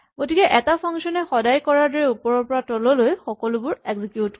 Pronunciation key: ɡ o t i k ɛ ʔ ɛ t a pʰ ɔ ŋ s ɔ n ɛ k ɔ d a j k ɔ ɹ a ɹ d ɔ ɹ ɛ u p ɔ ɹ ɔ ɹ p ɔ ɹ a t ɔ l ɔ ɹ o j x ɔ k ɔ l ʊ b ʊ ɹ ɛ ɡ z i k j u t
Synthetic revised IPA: ɡ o t i k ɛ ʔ ɛ t a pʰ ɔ ŋ s ɔ n ɛ x ɔ d a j k ɔ ɹ a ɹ d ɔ ɹ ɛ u p ɔ ɹ ɔ ɹ p ɔ ɹ a t ɔ l ɔ l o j x ɔ k ɔ l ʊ b ʊ ɹ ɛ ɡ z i k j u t